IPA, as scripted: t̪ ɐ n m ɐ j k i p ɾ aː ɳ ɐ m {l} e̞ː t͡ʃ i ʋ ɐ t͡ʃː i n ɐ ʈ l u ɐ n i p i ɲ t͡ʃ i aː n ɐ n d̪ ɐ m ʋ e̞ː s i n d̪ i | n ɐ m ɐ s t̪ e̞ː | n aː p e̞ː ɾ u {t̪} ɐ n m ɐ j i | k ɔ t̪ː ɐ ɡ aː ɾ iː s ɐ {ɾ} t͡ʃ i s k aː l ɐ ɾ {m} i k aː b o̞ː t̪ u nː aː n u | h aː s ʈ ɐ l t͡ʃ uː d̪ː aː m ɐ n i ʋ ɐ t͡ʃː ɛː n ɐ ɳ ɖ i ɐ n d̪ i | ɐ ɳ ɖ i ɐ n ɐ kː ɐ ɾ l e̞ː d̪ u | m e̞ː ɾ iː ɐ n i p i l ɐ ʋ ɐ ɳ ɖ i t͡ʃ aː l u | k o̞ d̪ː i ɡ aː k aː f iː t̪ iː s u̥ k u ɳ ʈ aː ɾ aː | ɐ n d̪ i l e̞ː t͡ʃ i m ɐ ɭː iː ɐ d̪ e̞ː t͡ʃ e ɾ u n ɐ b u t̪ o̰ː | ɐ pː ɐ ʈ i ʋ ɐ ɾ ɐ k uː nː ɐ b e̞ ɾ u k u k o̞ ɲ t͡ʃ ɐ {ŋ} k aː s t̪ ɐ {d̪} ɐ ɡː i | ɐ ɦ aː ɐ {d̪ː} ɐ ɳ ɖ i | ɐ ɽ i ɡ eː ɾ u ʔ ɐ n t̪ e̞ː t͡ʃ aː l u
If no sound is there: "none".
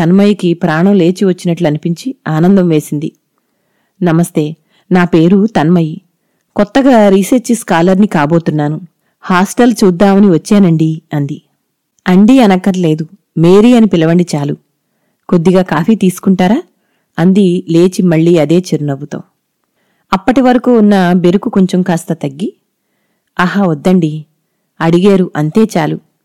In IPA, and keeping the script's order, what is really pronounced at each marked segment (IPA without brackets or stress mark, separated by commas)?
l, t̪, ɾ, n, m, t̪, d̪ː